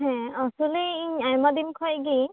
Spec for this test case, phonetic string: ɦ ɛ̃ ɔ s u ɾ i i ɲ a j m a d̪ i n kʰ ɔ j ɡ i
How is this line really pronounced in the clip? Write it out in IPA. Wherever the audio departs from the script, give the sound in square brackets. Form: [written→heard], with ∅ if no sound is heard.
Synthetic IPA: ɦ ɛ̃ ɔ s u [ɾ→l] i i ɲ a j m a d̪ i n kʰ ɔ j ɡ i